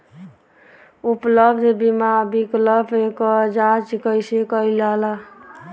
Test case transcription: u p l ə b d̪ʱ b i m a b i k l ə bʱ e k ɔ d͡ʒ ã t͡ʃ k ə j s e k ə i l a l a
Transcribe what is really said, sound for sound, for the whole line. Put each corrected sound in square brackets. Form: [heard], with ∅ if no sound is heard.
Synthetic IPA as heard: u p l ə b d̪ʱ b i m a b i k l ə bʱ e k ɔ d͡ʒ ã t͡ʃ k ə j s e k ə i l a l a